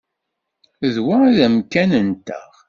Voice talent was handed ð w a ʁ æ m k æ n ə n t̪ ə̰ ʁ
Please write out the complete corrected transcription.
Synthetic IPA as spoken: ð w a ð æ m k æ n ə n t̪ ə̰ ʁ